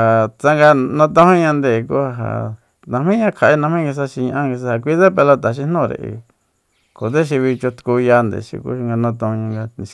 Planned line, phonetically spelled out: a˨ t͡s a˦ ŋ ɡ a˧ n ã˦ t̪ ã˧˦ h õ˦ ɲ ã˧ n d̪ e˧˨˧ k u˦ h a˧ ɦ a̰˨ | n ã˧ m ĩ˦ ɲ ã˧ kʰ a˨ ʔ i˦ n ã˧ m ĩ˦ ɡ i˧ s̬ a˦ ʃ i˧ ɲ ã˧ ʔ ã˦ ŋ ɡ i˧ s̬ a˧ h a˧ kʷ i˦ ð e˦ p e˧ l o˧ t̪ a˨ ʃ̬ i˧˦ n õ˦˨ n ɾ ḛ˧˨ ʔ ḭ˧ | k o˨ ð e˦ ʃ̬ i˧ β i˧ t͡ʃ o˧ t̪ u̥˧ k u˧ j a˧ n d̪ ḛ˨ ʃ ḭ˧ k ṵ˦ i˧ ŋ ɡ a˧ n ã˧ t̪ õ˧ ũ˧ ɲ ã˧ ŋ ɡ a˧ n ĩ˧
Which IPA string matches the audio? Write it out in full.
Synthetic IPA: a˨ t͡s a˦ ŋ ɡ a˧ n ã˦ t̪ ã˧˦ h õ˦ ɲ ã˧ n d̪ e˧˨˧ k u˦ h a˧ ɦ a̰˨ | n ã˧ m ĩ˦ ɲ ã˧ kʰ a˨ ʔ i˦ n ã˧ m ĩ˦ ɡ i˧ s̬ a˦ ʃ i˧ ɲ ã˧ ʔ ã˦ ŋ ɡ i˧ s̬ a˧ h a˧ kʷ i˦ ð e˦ p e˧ l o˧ t̪ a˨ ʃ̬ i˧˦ n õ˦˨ ɾ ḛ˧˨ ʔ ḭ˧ | k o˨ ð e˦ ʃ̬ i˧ β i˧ t͡ʃ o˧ t̪ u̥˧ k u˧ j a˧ n d̪ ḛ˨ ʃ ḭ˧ k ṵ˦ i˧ ŋ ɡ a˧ n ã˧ t̪ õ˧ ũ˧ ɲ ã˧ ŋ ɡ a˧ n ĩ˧

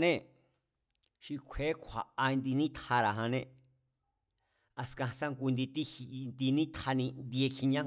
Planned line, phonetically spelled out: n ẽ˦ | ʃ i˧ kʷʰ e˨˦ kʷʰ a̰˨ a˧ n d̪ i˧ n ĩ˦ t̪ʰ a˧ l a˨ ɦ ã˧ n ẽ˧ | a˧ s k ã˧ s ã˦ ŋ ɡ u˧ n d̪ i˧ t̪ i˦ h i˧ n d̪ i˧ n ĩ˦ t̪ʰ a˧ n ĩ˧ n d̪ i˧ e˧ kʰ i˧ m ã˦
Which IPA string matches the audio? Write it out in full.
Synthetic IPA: n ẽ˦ | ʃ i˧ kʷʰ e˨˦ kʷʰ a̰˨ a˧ n d̪ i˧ n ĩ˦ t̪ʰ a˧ ɾ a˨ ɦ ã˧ n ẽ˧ | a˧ s k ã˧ s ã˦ ŋ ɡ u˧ n d̪ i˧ t̪ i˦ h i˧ n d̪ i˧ n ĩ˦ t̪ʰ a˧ n ĩ˧ n d̪ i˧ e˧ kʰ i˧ ɲ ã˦

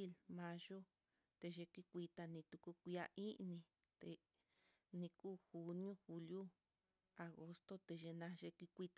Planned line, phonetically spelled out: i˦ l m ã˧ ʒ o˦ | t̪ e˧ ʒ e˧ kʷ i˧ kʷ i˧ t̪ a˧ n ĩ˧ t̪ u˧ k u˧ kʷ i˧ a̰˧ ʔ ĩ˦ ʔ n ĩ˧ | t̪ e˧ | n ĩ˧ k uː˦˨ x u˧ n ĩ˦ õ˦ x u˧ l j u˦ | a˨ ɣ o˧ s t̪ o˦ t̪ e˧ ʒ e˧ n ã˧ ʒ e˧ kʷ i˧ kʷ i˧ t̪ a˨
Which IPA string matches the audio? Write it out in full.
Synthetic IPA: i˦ l m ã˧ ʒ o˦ | t̪ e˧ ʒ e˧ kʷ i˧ kʷ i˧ t̪ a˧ n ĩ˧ t̪ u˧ k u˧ kʷ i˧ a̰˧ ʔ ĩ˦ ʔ n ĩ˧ | t̪ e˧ | n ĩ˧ k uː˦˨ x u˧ n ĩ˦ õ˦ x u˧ l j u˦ | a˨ ɣ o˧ s t̪ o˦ t̪ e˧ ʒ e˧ n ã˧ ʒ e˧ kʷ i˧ kʷ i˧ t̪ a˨

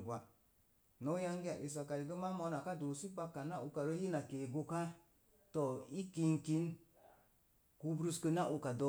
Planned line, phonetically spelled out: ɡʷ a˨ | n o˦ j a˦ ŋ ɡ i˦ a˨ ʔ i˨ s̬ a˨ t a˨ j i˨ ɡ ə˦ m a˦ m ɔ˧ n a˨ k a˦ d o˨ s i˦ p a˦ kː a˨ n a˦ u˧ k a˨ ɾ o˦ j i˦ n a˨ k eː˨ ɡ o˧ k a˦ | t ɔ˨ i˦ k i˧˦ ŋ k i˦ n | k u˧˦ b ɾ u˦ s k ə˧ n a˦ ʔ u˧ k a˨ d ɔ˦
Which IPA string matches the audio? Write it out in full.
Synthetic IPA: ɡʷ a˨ | n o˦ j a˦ ŋ ɡ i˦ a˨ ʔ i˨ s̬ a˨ k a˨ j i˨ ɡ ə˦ m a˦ m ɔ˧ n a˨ k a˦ d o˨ s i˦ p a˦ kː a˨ n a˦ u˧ k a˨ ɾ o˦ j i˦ n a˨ k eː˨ ɡ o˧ k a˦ | t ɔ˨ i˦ k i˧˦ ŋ k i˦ n | k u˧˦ b ɾ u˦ s k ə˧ n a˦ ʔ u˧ k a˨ d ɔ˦

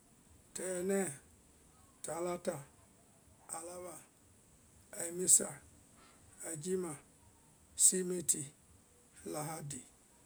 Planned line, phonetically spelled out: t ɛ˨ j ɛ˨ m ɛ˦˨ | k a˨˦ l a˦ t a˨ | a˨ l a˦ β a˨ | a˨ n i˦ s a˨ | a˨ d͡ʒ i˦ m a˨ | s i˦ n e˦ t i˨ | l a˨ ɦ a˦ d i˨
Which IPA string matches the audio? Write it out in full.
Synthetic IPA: t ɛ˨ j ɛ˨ n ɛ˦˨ | t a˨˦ l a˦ t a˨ | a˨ l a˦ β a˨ | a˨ m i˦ s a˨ | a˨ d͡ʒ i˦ m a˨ | s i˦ m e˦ t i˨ | l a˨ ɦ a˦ d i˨

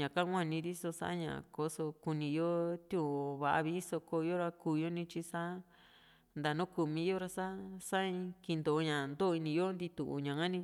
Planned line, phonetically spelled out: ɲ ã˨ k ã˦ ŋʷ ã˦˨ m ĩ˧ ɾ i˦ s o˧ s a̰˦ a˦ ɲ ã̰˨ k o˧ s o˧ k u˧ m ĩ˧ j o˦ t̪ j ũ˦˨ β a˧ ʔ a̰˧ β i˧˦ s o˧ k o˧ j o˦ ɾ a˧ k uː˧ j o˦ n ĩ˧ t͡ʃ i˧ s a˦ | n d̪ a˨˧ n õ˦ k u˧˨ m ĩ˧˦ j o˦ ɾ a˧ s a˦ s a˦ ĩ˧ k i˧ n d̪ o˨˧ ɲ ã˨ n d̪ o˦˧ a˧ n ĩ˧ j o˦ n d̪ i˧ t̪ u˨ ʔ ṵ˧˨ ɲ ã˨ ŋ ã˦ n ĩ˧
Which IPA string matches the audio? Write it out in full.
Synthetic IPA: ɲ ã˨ k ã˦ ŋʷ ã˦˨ n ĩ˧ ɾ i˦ s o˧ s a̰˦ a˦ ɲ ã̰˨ k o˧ s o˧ k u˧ n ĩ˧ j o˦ t̪ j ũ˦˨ β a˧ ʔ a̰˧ β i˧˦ s o˧ k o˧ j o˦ ɾ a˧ k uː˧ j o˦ n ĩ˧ t͡ʃ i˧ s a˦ | n d̪ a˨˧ n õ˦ k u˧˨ m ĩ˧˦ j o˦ ɾ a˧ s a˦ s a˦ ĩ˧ k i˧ n d̪ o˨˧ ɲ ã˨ n d̪ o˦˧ i˧ n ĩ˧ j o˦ n d̪ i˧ t̪ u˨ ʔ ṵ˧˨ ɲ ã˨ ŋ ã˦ n ĩ˧

